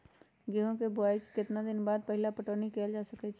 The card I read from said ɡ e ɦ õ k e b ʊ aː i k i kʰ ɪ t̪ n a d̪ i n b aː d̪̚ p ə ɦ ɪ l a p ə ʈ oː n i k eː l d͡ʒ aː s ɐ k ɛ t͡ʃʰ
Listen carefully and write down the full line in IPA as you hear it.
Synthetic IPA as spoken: ɡ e ɦ õ k e b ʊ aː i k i k ɪ t̪ n a d̪ ɪ n b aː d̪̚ p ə ɦ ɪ l a p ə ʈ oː n i k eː l d͡ʒ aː s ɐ k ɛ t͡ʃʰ